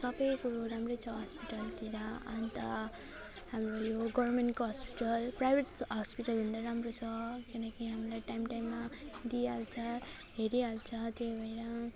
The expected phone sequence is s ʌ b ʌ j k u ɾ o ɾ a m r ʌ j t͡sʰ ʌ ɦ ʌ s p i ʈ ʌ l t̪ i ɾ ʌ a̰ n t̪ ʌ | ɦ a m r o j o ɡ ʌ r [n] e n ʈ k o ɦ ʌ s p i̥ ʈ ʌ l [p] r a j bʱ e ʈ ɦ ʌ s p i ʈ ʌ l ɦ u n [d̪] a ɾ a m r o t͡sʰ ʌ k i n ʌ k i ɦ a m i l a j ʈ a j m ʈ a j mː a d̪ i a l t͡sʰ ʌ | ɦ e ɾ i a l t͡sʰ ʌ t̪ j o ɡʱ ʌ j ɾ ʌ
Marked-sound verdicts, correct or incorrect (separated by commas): incorrect, correct, correct